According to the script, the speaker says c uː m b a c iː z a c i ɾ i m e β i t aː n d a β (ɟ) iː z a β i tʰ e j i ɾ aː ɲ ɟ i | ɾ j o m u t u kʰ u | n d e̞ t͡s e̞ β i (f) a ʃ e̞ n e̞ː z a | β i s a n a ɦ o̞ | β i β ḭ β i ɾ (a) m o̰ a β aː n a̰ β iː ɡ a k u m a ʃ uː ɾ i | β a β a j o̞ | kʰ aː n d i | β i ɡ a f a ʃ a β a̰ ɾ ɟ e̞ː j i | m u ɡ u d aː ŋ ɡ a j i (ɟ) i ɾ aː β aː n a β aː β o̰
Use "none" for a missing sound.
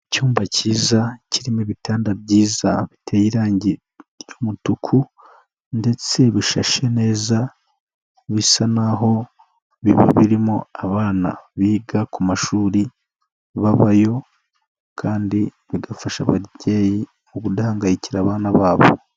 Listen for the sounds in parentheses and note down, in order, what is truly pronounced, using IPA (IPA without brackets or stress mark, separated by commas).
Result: ɟ, ʃ, i, c